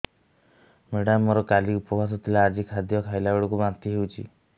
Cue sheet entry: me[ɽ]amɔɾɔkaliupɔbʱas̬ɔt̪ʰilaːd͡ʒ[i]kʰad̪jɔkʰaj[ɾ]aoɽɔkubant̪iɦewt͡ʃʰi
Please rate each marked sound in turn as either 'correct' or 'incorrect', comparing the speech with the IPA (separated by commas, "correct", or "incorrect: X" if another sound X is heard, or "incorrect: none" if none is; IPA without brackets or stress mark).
correct, correct, incorrect: l